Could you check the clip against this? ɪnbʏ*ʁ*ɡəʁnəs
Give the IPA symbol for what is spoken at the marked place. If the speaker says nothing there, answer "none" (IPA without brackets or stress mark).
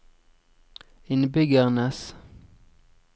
none